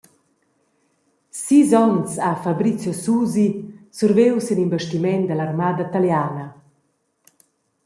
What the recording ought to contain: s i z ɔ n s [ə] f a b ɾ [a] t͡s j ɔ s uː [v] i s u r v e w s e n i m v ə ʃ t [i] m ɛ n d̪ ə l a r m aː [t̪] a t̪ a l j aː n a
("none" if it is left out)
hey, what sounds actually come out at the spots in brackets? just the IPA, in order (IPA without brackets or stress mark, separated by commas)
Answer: a, i, z, i, d̪